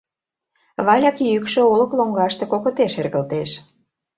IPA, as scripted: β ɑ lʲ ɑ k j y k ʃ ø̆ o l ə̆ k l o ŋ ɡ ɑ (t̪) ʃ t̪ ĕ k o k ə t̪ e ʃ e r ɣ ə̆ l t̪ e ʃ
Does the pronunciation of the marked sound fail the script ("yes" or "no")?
yes